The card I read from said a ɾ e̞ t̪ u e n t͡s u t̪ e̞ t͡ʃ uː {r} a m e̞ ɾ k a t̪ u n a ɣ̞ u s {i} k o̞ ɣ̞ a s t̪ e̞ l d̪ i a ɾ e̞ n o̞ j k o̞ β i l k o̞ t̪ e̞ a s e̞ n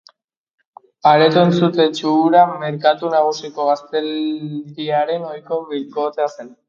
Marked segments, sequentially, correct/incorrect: incorrect: ɾ, correct

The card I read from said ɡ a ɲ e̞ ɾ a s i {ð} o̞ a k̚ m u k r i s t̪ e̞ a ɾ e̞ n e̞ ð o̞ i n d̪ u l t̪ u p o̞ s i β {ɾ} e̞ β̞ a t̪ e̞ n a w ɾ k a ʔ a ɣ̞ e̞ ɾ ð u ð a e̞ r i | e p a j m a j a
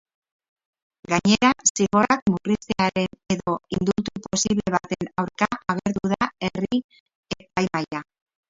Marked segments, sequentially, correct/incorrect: incorrect: ɣ, incorrect: l

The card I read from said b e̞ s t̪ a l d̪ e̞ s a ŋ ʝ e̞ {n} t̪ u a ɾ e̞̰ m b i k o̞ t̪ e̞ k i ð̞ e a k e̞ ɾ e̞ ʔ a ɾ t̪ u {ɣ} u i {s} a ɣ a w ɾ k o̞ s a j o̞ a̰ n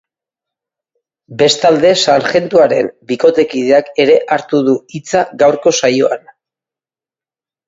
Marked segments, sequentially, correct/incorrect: correct, incorrect: ð, incorrect: t͡s

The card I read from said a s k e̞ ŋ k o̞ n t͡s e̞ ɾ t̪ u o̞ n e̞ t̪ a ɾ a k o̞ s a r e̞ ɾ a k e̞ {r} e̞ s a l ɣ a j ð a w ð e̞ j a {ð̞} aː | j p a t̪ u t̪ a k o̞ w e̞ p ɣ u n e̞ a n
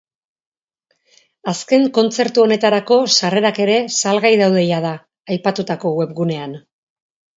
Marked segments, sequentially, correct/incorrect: incorrect: ɾ, correct

